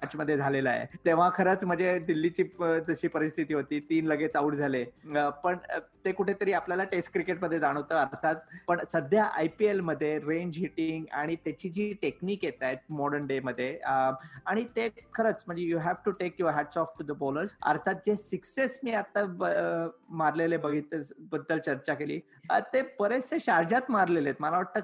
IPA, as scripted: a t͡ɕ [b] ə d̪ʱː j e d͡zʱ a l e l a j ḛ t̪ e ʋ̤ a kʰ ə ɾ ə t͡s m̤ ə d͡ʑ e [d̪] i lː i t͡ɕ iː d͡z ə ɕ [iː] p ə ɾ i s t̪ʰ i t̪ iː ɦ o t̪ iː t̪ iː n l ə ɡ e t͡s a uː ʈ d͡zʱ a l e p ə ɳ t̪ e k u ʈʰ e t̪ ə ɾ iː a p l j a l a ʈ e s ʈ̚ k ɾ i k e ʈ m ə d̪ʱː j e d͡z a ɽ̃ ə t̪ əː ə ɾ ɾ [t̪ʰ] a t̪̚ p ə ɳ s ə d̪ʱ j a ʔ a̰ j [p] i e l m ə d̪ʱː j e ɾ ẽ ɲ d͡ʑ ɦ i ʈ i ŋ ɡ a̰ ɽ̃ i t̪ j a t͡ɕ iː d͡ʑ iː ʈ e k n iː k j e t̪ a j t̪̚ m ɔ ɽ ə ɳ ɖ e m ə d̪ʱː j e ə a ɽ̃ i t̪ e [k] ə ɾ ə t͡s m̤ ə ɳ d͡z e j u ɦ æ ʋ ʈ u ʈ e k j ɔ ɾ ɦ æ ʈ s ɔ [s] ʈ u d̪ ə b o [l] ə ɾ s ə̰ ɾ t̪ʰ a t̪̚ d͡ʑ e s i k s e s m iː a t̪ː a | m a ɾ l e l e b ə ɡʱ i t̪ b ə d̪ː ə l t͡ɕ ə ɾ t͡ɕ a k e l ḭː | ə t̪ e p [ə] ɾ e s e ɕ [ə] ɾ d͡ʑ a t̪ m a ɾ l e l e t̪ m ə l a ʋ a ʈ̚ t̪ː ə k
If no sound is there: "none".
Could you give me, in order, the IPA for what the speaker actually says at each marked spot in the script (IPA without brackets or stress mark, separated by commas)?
m, d̪, iː, t̪ʰ, p, kʰ, f, l, ə, a